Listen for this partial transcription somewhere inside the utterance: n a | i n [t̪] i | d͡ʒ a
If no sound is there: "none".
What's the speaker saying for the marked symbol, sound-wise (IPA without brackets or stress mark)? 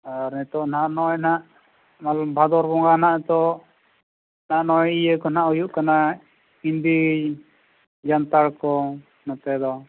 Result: d̪